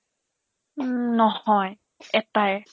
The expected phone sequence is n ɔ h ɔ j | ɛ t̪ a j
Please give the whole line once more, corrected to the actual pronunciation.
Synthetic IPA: n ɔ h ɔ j | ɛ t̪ a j